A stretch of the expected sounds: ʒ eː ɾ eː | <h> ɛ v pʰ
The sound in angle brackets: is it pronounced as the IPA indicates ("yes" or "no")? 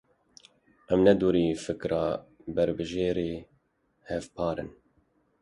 yes